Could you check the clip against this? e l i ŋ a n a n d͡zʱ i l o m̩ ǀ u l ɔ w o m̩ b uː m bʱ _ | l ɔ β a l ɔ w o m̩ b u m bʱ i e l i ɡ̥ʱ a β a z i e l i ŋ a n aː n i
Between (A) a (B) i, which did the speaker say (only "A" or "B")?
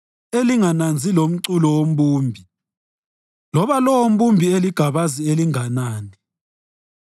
B